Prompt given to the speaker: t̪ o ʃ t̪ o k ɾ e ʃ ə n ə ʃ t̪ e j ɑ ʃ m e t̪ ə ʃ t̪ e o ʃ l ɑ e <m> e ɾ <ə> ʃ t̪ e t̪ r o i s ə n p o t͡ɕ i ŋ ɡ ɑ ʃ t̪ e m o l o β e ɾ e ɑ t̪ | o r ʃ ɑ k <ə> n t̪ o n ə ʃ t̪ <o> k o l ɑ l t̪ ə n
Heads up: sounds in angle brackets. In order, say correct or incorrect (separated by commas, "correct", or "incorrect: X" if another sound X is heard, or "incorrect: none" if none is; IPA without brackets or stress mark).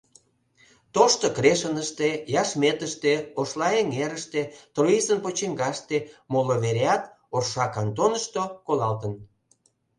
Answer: incorrect: ŋ, correct, incorrect: ɑ, correct